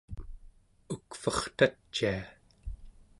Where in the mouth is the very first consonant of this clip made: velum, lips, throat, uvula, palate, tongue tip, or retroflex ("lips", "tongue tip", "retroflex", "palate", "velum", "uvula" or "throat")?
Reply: velum